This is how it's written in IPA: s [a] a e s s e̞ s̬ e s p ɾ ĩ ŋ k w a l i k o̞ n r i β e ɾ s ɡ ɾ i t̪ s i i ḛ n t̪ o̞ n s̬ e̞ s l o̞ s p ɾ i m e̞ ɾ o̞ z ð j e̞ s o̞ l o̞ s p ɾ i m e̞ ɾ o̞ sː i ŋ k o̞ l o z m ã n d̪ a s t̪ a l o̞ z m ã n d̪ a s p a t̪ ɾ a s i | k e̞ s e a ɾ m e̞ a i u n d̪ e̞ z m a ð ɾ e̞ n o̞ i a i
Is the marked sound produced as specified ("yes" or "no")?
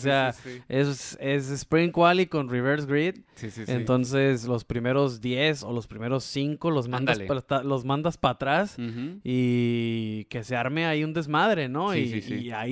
no